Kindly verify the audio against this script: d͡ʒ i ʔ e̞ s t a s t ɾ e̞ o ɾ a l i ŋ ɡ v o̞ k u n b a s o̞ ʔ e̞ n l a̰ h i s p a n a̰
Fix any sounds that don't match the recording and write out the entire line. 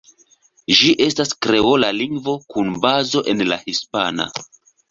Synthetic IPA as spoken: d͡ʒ i ʔ e̞ s t a s k ɾ e̞ o l a l i ŋ ɡ v o̞ k u n b a z o̞ ʔ e̞ n l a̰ h i s p a n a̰